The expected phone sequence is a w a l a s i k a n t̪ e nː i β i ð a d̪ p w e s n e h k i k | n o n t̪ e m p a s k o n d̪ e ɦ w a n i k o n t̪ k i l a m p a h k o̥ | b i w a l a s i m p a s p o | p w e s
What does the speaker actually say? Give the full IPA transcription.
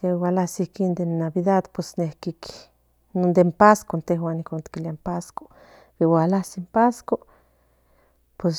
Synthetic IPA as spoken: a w a l a s i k i n d̪ e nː a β i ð a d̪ p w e s n e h k i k | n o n d̪ e m p a s k o n t̪ e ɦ w a n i k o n t̪ k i l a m p a s k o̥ | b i w a l a s i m p a s k o | p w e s